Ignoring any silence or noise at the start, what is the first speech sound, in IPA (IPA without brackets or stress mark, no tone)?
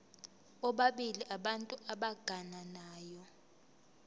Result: ɔ